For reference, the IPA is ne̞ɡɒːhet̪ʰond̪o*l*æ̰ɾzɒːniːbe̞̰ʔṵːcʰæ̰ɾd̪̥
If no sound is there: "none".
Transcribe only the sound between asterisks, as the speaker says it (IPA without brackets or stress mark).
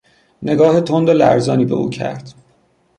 l